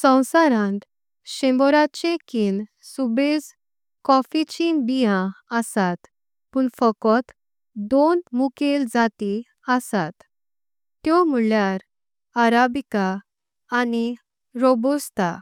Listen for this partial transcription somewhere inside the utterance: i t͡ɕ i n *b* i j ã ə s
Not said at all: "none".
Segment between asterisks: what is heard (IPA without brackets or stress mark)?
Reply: b